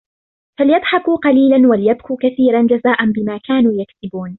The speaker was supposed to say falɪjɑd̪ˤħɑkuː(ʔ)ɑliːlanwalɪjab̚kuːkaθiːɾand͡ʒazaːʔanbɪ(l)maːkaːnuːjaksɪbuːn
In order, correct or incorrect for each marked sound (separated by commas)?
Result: incorrect, incorrect